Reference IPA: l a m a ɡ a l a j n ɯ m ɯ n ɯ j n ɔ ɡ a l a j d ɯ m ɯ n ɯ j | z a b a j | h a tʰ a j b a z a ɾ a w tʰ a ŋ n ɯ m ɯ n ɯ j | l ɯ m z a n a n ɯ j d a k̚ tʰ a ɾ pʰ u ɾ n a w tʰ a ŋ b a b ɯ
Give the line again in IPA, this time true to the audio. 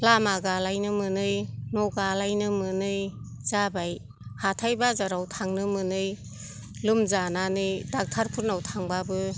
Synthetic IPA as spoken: l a m a ɡ a l a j n ɯ m ɯ n ɯ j n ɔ ɡ a l a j n ɯ m ɯ n ɯ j | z a b a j | h a tʰ a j b a z a ɾ a w tʰ a ŋ n ɯ m ɯ n ɯ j | l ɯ m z a n a n ɯ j d a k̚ tʰ a ɾ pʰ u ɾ n a w tʰ a ŋ b a b ɯ